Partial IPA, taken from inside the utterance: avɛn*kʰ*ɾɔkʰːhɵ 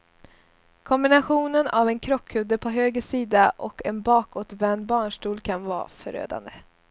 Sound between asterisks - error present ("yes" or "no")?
no